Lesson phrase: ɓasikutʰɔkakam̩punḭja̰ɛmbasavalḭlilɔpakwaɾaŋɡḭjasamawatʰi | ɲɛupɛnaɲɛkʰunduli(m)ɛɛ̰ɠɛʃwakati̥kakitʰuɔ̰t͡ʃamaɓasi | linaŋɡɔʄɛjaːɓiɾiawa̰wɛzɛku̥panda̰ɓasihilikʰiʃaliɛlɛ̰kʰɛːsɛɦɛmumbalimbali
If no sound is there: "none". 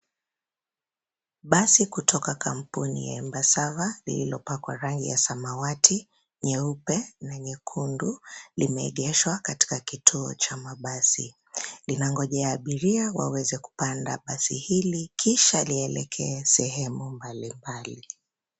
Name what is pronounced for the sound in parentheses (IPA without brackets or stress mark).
m